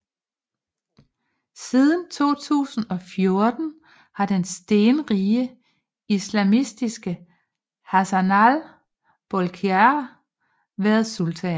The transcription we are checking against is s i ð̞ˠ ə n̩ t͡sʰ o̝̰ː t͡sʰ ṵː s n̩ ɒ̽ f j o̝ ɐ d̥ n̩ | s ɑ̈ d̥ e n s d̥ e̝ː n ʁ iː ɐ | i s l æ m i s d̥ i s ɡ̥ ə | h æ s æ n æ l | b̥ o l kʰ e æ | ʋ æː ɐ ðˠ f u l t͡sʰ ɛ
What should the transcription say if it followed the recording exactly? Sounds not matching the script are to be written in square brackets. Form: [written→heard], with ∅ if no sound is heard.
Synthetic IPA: s i ð̞ˠ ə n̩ t͡sʰ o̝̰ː t͡sʰ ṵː s n̩ ɒ̽ f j o̝ ɐ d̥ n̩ | [s→h] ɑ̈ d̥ e n s d̥ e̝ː n ʁ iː [ɐ→ə] | i s l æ m i s d̥ i s ɡ̥ ə | h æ s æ n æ l | b̥ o l kʰ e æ | ʋ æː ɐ ðˠ [f→s] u l t͡sʰ ɛ